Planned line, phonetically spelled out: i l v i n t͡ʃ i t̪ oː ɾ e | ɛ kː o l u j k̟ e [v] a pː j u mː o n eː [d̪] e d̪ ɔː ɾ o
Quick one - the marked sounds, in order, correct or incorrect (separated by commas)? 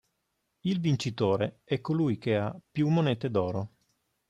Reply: incorrect, incorrect